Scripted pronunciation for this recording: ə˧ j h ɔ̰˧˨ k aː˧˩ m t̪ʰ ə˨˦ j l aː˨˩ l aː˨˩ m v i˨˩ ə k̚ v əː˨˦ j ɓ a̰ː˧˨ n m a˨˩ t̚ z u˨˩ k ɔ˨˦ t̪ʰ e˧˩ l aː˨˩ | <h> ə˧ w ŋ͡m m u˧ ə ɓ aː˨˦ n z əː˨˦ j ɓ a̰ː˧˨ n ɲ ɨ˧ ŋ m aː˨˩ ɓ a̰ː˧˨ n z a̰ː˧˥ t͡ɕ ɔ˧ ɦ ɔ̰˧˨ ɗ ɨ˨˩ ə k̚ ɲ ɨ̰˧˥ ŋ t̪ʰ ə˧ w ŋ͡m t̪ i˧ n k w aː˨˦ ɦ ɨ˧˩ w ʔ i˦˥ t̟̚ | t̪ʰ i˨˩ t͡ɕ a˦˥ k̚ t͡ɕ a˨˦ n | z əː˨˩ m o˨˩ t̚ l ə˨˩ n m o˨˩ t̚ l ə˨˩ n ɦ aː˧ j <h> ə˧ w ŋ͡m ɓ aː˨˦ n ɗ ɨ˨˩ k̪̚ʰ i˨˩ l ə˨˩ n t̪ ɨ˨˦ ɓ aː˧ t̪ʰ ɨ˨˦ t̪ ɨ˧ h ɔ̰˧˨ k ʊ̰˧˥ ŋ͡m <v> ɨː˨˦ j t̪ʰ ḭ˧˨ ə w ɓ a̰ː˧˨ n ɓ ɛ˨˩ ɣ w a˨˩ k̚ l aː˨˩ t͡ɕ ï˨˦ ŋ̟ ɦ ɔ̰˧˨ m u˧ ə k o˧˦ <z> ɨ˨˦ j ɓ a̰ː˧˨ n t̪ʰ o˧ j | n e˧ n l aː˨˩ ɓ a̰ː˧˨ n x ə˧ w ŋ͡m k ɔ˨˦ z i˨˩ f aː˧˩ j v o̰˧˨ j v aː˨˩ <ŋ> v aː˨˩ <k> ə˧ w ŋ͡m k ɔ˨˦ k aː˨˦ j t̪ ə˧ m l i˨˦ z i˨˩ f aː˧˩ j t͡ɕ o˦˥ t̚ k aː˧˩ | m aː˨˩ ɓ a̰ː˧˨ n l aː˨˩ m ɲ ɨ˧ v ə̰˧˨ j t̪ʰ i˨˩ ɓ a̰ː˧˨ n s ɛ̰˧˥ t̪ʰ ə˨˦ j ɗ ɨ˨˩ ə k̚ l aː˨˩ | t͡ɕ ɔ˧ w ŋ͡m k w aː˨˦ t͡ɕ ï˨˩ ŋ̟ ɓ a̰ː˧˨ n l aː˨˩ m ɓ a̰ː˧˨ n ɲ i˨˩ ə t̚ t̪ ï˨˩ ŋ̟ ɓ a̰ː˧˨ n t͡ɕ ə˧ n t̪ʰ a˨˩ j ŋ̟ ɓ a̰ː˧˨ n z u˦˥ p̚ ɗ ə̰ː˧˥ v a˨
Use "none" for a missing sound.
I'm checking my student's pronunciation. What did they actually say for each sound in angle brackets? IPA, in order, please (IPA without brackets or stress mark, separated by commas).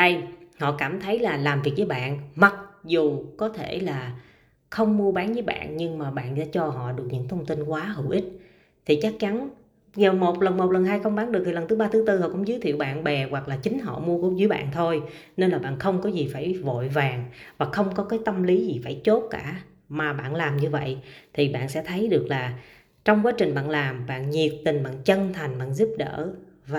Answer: x, x, z, z, ŋ, x